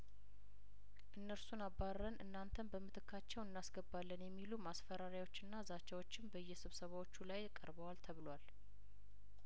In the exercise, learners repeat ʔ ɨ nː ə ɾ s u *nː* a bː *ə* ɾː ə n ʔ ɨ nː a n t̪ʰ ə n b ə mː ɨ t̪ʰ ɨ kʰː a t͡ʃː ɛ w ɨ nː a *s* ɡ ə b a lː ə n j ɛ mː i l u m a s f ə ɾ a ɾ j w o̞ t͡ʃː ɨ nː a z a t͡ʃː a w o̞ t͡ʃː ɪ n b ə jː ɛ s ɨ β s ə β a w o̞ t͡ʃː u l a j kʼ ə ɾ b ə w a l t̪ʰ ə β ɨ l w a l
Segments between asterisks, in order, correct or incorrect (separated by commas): incorrect, incorrect, correct